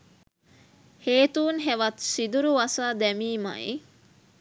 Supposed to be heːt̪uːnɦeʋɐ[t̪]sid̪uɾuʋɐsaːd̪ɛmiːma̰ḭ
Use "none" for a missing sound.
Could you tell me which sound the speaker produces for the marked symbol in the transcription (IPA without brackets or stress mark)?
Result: t̪